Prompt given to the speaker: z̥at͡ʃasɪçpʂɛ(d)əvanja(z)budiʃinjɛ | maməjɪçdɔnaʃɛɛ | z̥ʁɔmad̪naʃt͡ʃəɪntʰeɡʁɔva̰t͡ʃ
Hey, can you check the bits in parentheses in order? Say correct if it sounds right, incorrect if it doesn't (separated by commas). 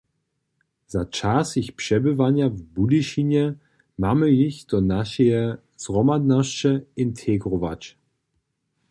incorrect, incorrect